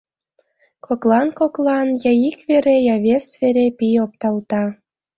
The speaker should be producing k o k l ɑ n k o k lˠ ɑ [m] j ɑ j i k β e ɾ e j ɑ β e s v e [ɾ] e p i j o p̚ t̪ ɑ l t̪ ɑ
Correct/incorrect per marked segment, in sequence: incorrect: n, correct

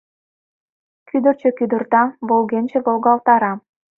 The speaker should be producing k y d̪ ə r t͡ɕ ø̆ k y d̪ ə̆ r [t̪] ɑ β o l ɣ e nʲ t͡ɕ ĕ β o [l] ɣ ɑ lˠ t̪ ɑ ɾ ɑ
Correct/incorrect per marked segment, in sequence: correct, correct

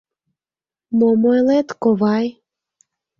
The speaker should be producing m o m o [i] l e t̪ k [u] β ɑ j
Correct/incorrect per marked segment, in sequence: incorrect: j, incorrect: o

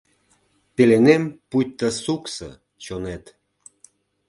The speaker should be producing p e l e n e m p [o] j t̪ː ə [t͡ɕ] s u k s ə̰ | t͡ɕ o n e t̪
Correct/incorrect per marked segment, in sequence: incorrect: u, incorrect: none

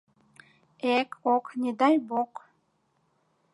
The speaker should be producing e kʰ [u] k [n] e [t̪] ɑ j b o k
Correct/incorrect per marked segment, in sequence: incorrect: o, correct, incorrect: d̪

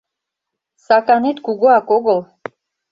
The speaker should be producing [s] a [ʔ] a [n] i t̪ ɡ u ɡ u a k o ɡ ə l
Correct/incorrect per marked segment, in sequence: correct, incorrect: k, correct

